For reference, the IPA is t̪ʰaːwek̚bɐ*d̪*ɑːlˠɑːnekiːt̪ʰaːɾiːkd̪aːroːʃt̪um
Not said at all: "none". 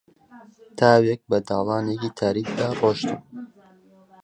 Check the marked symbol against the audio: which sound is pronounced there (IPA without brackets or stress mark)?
d̪